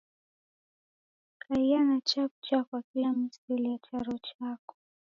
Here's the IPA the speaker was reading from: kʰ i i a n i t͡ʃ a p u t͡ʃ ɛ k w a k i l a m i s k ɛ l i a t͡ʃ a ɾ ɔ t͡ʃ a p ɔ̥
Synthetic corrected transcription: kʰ a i a n a t͡ʃ a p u t͡ʃ a k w a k i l a m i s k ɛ l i a t͡ʃ a ɾ ɔ t͡ʃ a k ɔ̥

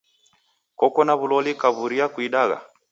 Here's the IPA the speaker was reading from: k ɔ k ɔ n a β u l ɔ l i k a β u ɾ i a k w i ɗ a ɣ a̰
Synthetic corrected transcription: k ɔ k ɔ n a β u l ɔ l i k a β u ɾ i a k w i ɗ a ɣ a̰

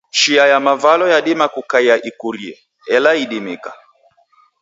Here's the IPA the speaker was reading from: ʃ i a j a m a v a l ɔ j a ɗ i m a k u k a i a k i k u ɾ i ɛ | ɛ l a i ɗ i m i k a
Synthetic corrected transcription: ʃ i a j a m a v a l ɔ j a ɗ i m a k u k a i a ʔ i k u ɾ i ɛ | ɛ l a i ɗ i m i k a

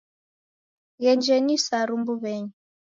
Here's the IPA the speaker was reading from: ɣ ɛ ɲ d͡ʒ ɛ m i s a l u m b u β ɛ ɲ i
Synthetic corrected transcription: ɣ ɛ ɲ d͡ʒ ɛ n i s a ɾ u m b u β ɛ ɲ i

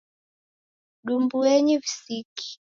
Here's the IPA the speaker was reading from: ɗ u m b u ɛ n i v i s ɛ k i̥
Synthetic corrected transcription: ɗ u m b u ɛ ɲ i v i s i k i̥

